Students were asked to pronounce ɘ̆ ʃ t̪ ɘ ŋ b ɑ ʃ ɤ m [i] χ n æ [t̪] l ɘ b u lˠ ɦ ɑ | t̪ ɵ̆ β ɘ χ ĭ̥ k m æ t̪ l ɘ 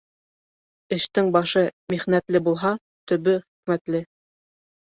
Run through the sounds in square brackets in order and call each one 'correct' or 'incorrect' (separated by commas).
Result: correct, correct